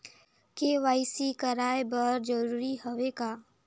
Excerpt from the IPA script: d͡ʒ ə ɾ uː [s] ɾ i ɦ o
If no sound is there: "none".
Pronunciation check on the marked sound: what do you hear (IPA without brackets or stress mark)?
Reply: none